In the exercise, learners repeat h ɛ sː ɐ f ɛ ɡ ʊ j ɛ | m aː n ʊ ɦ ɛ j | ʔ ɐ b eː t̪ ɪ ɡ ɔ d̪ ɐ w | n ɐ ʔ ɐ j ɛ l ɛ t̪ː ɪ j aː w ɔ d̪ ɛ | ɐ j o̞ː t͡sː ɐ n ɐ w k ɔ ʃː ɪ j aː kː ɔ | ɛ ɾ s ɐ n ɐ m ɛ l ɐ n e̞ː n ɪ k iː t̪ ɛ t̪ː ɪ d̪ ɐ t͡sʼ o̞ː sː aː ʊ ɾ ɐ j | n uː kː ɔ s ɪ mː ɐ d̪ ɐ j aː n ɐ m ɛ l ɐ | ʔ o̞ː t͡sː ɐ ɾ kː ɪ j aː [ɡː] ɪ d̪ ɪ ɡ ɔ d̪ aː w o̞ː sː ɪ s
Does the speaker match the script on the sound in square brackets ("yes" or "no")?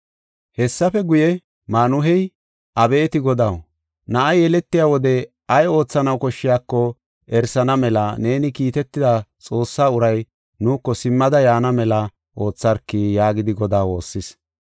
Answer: no